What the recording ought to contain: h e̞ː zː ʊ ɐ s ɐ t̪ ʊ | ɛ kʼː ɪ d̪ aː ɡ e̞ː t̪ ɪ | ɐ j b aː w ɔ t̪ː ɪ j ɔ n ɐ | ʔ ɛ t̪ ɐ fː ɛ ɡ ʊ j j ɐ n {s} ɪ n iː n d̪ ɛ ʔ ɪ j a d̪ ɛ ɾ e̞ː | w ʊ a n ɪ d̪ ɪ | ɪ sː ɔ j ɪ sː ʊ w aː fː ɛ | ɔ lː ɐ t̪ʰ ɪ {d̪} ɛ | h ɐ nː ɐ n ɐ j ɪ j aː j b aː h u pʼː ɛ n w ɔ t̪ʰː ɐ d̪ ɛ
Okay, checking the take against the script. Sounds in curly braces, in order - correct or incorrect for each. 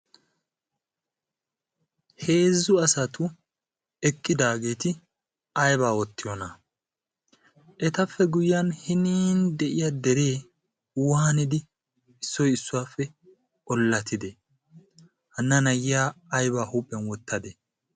incorrect: h, correct

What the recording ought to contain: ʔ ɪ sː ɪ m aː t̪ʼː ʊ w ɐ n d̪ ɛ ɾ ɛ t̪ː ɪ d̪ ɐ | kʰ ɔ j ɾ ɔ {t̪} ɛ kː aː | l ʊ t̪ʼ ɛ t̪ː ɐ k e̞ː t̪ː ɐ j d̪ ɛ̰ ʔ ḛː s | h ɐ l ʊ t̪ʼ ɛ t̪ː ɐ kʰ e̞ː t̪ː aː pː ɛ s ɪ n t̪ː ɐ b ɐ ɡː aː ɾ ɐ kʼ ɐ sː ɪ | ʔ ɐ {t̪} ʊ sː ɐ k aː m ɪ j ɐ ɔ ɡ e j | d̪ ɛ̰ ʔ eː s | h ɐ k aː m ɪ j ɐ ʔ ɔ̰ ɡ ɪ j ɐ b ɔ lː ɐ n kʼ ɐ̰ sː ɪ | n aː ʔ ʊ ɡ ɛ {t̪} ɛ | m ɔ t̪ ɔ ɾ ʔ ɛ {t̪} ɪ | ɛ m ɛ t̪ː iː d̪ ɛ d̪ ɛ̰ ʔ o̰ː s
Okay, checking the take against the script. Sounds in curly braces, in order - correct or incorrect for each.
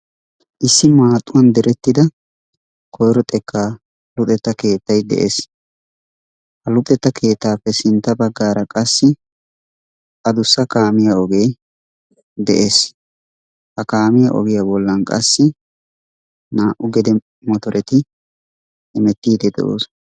incorrect: t̪ʼ, incorrect: d̪, incorrect: d̪, correct

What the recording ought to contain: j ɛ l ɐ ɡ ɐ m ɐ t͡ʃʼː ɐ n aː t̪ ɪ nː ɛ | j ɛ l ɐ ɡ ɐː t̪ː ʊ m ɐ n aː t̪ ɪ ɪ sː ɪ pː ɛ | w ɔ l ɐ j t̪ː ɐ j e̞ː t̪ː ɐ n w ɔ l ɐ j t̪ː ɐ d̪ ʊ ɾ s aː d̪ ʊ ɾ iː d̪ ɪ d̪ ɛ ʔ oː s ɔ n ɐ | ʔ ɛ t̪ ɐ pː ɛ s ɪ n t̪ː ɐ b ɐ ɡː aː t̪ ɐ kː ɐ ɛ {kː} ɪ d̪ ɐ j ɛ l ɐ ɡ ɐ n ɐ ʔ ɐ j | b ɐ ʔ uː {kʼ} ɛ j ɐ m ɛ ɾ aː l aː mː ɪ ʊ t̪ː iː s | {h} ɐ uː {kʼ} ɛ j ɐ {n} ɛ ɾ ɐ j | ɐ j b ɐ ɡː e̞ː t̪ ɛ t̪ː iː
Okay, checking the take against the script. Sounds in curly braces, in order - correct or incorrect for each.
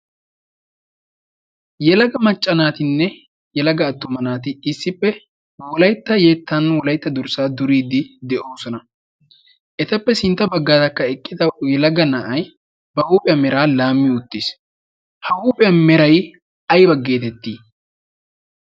incorrect: kʼː, incorrect: pʼ, correct, incorrect: pʼ, incorrect: m

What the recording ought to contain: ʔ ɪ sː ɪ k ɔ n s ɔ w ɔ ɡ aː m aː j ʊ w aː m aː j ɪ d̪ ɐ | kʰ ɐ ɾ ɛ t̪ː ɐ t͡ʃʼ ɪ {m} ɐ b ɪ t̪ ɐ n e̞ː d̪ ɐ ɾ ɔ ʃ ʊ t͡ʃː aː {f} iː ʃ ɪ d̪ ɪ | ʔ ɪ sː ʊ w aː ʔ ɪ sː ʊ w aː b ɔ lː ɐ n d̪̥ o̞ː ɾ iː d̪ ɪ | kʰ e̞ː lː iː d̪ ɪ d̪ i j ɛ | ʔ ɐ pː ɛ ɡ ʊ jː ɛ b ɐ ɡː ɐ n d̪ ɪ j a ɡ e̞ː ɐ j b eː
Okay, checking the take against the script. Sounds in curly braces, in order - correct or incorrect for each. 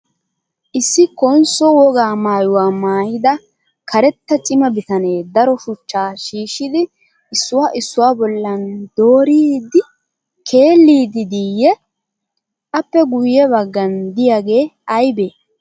correct, incorrect: ʃ

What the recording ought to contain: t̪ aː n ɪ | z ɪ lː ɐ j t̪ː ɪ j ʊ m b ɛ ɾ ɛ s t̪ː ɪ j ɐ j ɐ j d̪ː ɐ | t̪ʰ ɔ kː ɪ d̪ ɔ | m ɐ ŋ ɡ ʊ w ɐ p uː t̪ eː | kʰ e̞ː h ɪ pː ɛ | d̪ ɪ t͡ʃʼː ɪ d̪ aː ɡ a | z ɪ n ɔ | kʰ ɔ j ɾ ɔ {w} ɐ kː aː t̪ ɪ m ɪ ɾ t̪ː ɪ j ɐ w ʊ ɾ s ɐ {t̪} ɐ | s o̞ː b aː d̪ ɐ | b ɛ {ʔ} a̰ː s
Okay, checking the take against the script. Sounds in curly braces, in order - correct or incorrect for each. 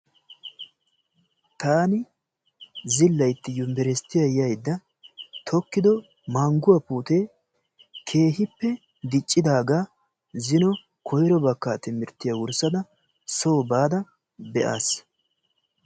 incorrect: b, incorrect: d̪, correct

